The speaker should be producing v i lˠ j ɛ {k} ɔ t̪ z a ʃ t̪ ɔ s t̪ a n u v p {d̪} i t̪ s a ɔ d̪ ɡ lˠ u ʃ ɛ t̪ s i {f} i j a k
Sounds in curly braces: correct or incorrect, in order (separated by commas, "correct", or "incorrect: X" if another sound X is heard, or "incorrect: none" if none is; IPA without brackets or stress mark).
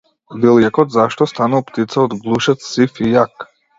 correct, incorrect: t̪, correct